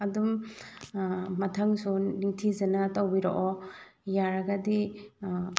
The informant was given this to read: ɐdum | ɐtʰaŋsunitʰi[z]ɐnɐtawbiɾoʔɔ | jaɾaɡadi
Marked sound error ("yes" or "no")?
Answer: no